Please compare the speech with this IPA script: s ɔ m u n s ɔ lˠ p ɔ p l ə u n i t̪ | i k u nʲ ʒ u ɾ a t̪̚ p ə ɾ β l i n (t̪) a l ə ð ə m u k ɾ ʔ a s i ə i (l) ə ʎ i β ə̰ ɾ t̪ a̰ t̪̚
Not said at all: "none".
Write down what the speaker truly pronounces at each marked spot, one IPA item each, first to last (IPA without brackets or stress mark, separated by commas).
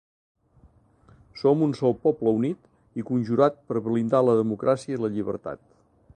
d̪, l